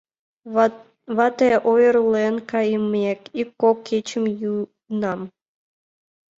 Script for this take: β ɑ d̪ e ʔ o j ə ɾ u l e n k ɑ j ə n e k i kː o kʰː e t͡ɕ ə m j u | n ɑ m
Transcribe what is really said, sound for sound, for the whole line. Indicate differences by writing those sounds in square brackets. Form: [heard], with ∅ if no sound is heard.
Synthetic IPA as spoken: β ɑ [t̪] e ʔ o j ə ɾ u l e n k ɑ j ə [m] e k i kː o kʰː e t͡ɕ ə m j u | n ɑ m